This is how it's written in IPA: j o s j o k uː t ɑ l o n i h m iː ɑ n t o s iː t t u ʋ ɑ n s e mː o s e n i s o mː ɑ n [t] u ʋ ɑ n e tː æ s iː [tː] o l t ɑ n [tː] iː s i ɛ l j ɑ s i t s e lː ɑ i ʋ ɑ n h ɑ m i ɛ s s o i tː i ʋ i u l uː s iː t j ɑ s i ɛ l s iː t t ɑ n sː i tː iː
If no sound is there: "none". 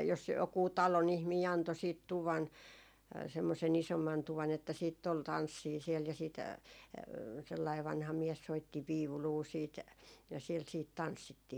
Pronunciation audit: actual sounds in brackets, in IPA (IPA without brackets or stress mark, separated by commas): t, tː, sː